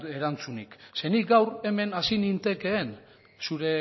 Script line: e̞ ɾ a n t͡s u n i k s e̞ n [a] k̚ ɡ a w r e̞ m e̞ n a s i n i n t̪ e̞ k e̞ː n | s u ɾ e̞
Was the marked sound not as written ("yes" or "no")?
yes